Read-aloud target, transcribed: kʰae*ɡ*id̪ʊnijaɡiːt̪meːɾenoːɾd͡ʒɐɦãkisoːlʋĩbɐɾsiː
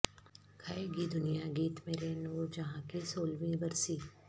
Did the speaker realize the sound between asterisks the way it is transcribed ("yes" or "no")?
yes